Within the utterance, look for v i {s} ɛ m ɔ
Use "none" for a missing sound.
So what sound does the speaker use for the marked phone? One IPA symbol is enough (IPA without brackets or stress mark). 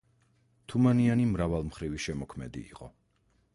ʃ